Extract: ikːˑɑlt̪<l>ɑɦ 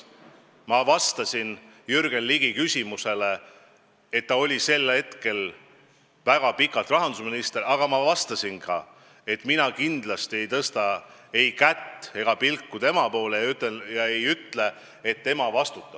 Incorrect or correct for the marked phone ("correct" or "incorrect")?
incorrect